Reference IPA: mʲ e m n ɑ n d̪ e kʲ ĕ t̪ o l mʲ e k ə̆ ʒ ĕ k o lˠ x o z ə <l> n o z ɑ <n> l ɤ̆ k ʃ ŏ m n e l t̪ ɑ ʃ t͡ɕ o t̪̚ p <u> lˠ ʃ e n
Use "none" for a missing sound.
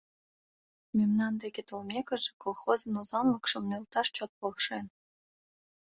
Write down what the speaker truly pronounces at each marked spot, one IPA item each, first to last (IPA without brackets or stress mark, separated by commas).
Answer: none, n, o